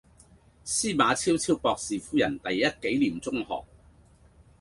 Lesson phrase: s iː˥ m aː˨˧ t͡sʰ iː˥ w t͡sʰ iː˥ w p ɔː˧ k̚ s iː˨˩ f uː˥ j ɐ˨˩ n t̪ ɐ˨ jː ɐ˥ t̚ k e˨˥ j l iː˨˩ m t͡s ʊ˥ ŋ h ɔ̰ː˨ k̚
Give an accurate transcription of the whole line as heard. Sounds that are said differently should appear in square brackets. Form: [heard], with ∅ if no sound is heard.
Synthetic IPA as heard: s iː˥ m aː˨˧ t͡sʰ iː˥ w t͡sʰ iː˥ w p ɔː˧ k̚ s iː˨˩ f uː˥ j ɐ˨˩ n t̪ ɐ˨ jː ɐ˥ t̚ k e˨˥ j l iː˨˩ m t͡s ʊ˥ ŋ h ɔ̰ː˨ k̚